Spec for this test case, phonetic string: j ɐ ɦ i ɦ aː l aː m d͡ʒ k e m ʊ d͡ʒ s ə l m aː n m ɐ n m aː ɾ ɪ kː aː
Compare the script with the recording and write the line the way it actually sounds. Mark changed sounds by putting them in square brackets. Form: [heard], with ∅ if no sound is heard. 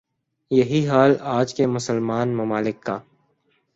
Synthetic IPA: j ɐ ɦ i ɦ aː l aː [∅] d͡ʒ k e m ʊ [∅] s ə l m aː n m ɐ [∅] m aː [l] ɪ kː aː